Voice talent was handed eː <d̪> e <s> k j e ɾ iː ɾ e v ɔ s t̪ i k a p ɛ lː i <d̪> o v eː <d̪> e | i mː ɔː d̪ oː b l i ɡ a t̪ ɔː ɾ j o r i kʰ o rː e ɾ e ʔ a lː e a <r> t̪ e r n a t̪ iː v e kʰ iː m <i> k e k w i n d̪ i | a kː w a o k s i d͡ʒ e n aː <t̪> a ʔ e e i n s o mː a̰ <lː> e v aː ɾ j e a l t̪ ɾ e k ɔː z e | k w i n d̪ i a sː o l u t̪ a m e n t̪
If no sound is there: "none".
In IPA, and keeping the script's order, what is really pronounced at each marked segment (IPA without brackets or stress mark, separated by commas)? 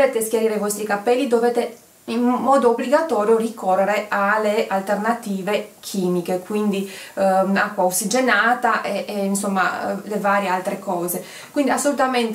t̪, s, d̪, t̪, l, i, t̪, l